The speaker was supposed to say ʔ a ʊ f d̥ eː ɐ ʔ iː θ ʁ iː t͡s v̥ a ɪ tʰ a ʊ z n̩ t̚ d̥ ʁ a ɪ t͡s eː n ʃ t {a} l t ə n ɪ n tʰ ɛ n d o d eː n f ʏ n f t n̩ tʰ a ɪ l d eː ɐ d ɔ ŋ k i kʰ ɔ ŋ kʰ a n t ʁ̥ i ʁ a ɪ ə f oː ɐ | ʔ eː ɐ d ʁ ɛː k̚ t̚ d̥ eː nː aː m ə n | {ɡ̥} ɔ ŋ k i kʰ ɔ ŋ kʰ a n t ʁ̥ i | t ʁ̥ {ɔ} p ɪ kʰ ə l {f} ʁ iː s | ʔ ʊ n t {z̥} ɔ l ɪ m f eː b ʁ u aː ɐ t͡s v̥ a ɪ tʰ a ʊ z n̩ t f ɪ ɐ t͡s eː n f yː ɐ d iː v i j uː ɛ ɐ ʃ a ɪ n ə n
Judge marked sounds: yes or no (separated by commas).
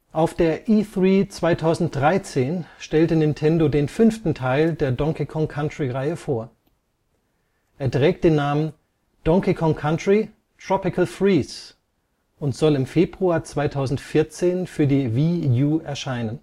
no, no, yes, yes, yes